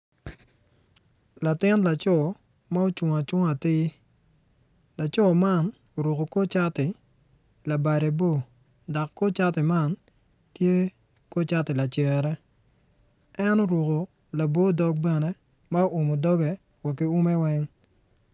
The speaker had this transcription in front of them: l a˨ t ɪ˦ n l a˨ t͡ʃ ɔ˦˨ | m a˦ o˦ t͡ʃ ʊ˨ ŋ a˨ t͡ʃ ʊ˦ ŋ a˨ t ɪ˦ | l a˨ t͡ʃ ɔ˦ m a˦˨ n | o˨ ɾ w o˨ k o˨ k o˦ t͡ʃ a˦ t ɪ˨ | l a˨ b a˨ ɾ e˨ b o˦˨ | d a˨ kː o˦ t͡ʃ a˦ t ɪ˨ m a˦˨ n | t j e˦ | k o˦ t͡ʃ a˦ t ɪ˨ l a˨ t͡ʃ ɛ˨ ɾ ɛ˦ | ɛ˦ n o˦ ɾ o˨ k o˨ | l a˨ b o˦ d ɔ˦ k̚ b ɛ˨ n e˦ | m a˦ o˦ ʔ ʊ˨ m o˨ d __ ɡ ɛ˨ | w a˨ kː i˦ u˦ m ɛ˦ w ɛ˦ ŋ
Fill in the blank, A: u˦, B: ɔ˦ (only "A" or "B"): B